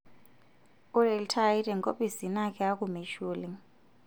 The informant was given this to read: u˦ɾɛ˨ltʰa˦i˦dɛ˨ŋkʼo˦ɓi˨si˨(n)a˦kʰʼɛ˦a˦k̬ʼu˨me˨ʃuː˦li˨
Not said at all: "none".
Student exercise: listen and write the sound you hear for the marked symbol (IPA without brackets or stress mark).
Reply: n